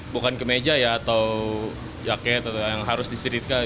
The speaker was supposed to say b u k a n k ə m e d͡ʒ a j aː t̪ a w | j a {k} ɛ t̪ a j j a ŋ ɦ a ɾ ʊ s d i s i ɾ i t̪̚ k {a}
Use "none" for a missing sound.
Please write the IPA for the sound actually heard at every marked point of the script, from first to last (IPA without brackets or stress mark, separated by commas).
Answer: k, a